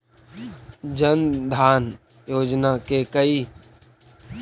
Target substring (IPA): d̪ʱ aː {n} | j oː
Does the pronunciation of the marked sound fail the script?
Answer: no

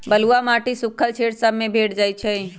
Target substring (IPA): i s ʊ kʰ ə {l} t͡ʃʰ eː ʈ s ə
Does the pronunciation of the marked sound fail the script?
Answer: no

